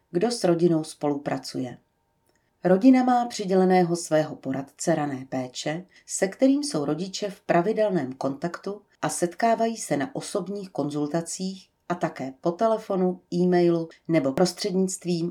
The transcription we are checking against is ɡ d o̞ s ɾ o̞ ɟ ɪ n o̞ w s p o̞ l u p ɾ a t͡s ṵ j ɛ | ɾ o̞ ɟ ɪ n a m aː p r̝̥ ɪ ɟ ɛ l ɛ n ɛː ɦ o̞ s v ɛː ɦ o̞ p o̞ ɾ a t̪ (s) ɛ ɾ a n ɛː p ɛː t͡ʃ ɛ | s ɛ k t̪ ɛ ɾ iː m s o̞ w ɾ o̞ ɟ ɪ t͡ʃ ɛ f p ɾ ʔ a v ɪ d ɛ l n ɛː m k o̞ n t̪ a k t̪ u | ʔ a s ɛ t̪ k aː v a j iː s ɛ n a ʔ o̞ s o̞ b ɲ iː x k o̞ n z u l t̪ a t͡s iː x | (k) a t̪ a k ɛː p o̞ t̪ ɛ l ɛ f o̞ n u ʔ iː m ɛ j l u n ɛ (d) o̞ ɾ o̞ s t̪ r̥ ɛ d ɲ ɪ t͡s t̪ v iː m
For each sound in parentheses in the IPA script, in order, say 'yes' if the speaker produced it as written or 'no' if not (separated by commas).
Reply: no, no, no